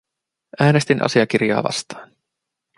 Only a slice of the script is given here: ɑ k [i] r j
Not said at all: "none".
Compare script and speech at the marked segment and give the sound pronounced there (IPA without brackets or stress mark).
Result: i